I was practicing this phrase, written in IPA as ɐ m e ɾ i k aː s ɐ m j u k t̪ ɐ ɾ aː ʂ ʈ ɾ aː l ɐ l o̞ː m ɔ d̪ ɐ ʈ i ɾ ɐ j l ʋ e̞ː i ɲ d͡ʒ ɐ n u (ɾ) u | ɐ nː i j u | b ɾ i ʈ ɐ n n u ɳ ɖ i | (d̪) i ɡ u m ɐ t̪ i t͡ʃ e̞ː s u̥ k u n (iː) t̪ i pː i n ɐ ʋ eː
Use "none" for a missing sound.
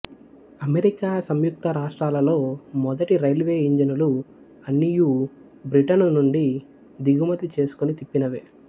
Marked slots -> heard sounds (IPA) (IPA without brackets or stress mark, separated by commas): l, d̪, i